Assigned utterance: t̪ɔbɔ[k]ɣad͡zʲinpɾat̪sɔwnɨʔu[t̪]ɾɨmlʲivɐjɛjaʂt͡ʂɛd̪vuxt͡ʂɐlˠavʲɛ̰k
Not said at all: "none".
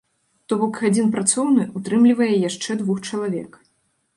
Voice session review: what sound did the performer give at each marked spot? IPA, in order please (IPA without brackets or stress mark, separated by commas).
k, t̪